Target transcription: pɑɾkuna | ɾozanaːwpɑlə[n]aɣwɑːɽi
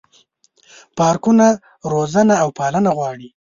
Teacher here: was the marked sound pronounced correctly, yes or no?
yes